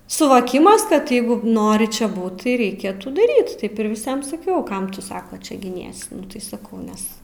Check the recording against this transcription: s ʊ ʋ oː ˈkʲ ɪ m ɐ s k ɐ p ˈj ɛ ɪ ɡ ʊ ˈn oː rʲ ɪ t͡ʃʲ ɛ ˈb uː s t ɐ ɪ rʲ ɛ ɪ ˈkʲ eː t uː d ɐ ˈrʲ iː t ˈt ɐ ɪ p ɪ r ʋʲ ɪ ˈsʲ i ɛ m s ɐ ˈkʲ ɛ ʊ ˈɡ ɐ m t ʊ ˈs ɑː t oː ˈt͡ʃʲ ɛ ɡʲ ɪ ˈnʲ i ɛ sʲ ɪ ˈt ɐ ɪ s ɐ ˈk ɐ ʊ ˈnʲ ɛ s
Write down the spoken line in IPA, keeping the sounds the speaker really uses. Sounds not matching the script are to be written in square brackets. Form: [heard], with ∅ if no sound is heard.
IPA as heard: s ʊ ʋ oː ˈkʲ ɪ m ɐ s k ɐ [t] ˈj ɛ ɪ ɡ ʊ ˈn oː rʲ ɪ t͡ʃʲ ɛ ˈb uː [t] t ɐ ɪ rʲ ɛ ɪ ˈkʲ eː t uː d ɐ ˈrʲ iː t ˈt ɐ ɪ p ɪ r ʋʲ ɪ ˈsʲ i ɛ m s ɐ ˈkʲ ɛ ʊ [ˈk] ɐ m t ʊ ˈs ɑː [k] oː ˈt͡ʃʲ ɛ ɡʲ ɪ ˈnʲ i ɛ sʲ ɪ ˈt ɐ ɪ s ɐ ˈk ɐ ʊ ˈnʲ ɛ s